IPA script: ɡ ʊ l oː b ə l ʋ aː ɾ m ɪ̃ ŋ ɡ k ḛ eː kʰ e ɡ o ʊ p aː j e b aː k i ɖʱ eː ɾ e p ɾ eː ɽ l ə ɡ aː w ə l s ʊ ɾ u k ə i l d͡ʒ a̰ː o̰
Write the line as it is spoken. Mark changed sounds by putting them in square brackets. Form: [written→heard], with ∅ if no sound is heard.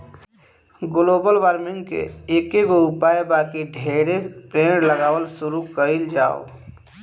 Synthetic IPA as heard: ɡ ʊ l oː b ə l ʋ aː ɾ m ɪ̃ ŋ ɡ k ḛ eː [kʰ→k] e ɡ o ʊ p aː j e b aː k i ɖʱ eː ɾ e p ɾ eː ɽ l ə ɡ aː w ə l s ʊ ɾ u k ə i l d͡ʒ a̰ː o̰